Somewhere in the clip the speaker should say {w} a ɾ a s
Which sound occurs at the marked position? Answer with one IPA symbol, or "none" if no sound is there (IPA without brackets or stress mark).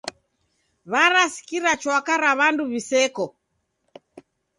β